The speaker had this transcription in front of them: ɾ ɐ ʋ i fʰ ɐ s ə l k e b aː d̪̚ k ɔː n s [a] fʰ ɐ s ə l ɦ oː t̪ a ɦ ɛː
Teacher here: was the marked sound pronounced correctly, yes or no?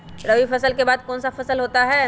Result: yes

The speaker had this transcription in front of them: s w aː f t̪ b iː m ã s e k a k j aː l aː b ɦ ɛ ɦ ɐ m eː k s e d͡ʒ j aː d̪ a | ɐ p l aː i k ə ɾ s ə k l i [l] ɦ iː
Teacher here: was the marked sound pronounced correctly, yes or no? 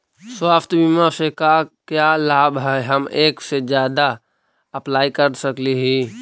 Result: no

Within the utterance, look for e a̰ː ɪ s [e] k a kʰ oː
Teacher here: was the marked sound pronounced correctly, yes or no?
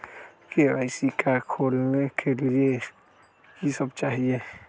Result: no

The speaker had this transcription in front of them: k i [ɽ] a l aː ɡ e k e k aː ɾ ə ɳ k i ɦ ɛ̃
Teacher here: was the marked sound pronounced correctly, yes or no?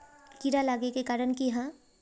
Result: no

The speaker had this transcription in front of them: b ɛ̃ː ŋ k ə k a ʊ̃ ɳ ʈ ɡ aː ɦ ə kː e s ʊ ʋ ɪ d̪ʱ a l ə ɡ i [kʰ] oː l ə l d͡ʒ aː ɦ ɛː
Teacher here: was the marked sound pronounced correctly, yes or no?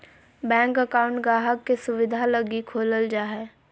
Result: yes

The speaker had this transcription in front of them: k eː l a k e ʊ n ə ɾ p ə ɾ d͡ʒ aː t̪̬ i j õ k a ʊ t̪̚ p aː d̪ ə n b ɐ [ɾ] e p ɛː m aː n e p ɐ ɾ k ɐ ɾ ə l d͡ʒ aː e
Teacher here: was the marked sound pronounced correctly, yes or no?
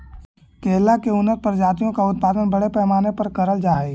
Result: no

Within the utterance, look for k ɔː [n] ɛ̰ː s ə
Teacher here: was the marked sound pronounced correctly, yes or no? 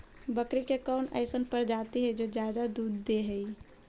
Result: yes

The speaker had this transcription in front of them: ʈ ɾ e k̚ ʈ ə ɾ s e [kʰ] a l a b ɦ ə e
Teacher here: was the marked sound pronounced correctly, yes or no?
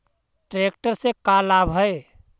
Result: no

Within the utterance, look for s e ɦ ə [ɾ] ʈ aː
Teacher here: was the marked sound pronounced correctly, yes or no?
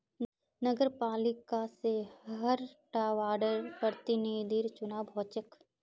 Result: yes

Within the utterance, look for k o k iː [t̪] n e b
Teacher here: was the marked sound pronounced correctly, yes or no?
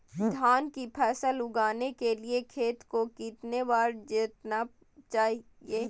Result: yes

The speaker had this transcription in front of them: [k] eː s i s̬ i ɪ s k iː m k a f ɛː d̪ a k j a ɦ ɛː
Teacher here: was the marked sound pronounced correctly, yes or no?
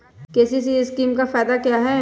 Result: yes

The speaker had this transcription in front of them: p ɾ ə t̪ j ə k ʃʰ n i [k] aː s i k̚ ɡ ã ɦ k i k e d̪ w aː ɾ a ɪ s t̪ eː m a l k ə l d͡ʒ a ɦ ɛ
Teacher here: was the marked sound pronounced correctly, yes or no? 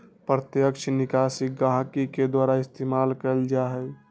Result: yes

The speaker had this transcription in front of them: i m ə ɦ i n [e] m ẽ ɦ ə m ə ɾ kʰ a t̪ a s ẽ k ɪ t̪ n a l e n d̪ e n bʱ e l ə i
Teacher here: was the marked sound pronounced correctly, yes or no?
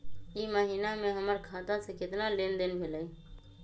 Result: no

